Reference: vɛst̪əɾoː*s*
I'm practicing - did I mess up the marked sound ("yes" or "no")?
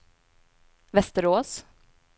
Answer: no